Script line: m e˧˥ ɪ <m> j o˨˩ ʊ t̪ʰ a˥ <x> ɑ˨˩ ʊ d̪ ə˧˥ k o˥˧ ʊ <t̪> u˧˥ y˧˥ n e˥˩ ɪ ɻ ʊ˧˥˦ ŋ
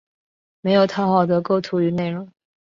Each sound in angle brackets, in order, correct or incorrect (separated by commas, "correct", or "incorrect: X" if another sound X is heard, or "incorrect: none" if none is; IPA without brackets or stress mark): incorrect: none, correct, incorrect: t̪ʰ